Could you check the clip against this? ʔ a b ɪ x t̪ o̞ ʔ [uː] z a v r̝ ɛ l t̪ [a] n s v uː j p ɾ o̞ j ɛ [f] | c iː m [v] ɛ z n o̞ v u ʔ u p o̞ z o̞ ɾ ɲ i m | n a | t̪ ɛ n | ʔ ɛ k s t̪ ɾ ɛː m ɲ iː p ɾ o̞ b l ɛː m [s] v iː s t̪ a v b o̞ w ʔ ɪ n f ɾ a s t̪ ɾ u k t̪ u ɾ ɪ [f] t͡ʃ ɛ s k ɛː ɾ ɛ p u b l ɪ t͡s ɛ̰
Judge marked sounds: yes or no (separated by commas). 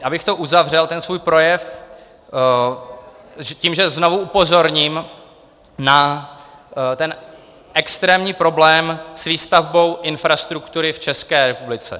no, no, yes, no, yes, yes